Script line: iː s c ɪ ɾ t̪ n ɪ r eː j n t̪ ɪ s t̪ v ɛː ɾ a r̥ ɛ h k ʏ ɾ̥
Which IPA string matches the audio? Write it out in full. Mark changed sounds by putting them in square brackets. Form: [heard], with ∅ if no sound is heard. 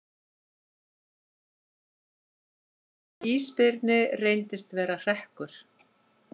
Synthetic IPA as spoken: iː s [p] ɪ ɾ t̪ n ɪ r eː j n t̪ ɪ s t̪ v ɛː ɾ a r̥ ɛ h k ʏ ɾ̥